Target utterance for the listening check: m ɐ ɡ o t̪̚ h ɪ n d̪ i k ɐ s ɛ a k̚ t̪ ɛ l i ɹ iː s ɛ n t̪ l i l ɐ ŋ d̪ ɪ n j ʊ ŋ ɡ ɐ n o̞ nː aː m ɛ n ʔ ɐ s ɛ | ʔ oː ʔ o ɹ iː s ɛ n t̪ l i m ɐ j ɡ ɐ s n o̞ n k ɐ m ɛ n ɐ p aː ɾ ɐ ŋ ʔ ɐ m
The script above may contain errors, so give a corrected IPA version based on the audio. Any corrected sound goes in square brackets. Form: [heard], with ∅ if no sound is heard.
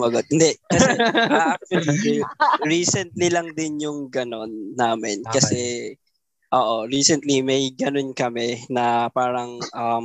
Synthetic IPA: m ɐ ɡ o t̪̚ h ɪ n d̪ [ɛ] k ɐ s ɛ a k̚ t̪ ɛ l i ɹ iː s ɛ n t̪ l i l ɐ ŋ d̪ ɪ n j ʊ ŋ ɡ ɐ n o̞ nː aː m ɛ n [k] ɐ s ɛ | ʔ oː ʔ o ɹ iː s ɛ n t̪ l i m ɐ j ɡ ɐ [∅] n o̞ n k ɐ m ɛ n ɐ p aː ɾ ɐ ŋ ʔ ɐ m